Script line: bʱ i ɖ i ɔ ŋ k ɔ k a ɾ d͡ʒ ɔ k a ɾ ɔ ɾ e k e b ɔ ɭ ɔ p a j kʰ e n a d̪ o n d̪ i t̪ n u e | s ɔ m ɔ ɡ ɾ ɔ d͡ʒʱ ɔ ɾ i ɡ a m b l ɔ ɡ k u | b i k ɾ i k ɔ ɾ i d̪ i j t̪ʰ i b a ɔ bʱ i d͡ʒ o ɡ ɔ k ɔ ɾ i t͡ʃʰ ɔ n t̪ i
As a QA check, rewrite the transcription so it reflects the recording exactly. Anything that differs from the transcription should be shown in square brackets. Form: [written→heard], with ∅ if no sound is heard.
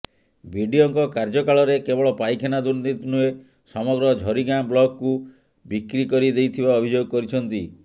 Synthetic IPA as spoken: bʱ i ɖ i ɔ ŋ k ɔ k a ɾ d͡ʒ ɔ k a [ɾ→ɭ] ɔ ɾ e k e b ɔ ɭ ɔ p a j kʰ e n a d̪ [o→u] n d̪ i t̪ n u e | s ɔ m ɔ ɡ ɾ ɔ d͡ʒʱ ɔ ɾ i ɡ a m b l ɔ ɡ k u | b i k ɾ i k ɔ ɾ i d̪ [i→e] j t̪ʰ i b a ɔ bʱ i d͡ʒ o ɡ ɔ k ɔ ɾ i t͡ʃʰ ɔ n t̪ i